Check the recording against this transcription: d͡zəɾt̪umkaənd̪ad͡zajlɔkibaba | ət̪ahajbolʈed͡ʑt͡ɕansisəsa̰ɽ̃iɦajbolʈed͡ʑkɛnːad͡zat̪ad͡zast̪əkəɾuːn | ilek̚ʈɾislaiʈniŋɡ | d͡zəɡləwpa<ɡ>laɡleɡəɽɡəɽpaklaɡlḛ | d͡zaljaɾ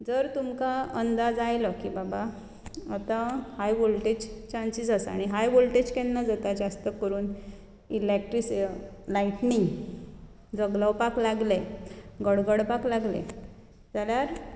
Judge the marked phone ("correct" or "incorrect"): incorrect